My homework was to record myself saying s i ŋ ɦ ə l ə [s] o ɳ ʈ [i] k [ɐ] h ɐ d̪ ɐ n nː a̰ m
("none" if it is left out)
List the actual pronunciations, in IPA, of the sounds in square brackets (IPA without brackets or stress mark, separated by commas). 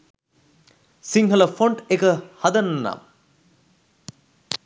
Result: f, e, ə